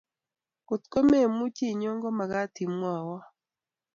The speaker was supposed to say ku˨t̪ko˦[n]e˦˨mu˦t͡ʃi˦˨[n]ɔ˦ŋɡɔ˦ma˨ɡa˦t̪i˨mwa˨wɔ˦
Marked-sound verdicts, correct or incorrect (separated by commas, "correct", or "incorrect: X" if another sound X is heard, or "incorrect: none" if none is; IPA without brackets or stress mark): incorrect: m, incorrect: ɲ